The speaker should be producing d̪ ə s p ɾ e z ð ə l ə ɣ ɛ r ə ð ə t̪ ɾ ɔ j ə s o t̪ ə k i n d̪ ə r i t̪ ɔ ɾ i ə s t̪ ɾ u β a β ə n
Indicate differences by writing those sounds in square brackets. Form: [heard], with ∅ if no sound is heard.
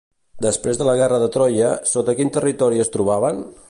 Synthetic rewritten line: d̪ ə s p ɾ e z ð ə l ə ɣ ɛ r ə ð ə t̪ ɾ ɔ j ə s o t̪ ə k i n [t̪] ə r i t̪ ɔ ɾ i ə s t̪ ɾ u β a β ə n